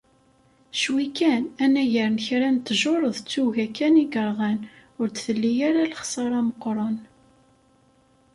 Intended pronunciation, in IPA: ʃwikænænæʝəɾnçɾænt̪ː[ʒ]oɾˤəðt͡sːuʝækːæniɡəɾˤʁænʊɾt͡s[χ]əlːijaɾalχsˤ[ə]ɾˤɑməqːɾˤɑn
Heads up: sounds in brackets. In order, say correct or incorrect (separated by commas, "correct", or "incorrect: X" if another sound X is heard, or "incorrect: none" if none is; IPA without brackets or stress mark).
correct, incorrect: θ, incorrect: ɑ